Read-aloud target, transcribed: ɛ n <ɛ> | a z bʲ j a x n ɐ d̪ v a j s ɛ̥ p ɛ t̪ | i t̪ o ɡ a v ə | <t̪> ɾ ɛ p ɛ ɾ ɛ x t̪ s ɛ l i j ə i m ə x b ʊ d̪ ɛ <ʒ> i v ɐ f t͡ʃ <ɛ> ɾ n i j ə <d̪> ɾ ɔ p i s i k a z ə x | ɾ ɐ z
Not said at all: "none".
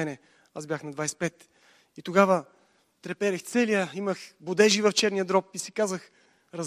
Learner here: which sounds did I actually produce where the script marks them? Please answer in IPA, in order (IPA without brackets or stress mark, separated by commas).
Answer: ɛ, t̪, ʒ, ɛ, d̪